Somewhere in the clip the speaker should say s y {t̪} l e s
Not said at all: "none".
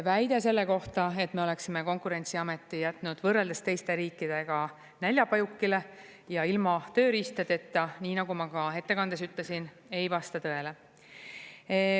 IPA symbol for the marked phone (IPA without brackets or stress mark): t̪